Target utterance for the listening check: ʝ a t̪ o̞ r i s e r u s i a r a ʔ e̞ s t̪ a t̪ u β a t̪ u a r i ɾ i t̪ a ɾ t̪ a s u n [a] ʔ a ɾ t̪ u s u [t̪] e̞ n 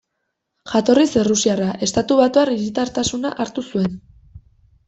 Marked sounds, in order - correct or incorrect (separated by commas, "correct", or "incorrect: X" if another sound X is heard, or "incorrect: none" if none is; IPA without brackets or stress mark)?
correct, incorrect: none